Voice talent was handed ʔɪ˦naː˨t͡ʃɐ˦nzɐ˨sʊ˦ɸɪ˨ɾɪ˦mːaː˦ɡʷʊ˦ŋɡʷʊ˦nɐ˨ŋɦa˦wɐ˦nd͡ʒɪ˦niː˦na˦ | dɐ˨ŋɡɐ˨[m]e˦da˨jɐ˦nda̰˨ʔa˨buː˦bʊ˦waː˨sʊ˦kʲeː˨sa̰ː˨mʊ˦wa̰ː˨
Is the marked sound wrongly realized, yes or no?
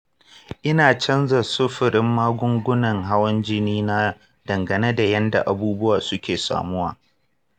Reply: yes